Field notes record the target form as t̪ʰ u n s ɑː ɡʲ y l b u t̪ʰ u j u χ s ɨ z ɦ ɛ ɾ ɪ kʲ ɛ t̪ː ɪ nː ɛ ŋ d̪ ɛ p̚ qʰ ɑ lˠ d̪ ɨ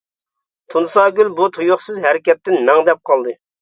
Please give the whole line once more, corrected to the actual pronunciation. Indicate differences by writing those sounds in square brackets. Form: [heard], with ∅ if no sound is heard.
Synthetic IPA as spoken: t̪ʰ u n s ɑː ɡʲ y l b u t̪ʰ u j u χ s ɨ z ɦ ɛ ɾ ɪ kʲ ɛ t̪ː ɪ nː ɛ ŋ d̪ ɛ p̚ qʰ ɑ lˠ d̪ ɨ